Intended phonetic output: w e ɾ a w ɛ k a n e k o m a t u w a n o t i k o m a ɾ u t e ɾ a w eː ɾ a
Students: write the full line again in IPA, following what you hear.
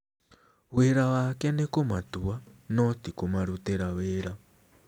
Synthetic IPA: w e ɾ a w a k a n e k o m a t u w a n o t i k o m a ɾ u t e ɾ a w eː ɾ a